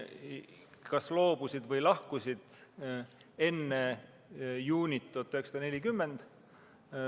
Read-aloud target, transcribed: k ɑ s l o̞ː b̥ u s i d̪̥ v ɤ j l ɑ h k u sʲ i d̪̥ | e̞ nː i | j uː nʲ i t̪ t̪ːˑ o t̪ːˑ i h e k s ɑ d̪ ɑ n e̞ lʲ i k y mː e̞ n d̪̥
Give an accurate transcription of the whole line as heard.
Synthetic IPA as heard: k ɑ s l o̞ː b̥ u s i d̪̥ v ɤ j l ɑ h k u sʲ i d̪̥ | e̞ nː e | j uː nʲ i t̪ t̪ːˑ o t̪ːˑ y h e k s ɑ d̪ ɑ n e̞ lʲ i k y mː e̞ n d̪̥